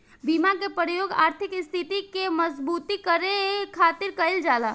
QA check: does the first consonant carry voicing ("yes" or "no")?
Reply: yes